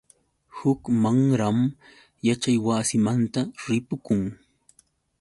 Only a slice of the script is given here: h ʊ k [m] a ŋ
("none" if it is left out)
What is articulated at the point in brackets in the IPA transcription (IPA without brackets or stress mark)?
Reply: m